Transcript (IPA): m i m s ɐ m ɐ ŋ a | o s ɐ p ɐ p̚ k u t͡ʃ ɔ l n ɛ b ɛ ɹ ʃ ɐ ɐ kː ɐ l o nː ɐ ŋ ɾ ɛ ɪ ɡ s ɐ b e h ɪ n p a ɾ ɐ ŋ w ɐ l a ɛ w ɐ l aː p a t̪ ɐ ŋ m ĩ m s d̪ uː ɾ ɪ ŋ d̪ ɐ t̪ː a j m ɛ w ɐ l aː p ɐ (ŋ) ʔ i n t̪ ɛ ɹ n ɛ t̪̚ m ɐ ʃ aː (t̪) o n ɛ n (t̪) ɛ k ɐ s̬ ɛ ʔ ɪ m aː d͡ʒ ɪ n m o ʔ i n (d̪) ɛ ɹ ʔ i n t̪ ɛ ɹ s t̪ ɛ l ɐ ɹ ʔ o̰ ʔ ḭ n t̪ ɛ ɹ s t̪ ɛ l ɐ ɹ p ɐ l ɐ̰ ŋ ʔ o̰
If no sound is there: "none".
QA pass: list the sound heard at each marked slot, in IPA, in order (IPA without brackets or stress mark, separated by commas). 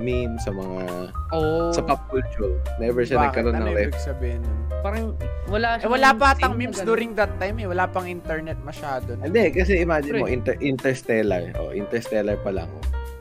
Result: ŋ, d̪, d̪, t̪